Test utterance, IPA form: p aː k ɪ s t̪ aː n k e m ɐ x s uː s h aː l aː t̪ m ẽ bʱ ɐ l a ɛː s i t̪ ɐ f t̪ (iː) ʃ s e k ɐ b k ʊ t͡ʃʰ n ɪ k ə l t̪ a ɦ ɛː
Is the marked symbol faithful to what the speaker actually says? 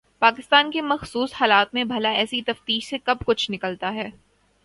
yes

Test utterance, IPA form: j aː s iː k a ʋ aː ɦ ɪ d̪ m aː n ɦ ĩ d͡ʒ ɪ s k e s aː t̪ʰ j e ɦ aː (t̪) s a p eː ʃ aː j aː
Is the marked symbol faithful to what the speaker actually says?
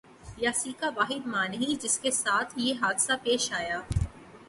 no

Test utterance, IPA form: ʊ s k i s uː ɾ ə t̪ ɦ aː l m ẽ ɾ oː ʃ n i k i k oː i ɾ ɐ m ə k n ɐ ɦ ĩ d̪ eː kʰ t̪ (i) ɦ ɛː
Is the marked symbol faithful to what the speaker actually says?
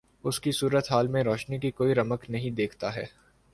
no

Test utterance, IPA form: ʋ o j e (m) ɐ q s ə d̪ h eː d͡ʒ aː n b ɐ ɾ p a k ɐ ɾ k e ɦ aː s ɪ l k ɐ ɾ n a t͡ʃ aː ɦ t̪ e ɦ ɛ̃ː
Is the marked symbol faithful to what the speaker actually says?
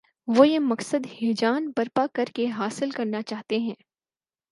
yes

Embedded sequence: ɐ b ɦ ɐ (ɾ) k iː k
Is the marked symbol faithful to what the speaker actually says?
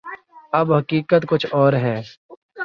no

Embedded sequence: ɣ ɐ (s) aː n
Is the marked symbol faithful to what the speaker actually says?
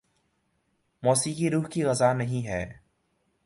no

